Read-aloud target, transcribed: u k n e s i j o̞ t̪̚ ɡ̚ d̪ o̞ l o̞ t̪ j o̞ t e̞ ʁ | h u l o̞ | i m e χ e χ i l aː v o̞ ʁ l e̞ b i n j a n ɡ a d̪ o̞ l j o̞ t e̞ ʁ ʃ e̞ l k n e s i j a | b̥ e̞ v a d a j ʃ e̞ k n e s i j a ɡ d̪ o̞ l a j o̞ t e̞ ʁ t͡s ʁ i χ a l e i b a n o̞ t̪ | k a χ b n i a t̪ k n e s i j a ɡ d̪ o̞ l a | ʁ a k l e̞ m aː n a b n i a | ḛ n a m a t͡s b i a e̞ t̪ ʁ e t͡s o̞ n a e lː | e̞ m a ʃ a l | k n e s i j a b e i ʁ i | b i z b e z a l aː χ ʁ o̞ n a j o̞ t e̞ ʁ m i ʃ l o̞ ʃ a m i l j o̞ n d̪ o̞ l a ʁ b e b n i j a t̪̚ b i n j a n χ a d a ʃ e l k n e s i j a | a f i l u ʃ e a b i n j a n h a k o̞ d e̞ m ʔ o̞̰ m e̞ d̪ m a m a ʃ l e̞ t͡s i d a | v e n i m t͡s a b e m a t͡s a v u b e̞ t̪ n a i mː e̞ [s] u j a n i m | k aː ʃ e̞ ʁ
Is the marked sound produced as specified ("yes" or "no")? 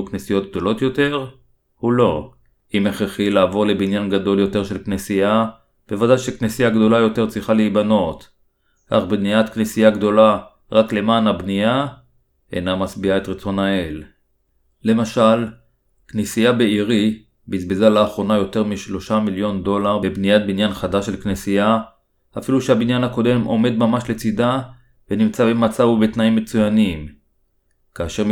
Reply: no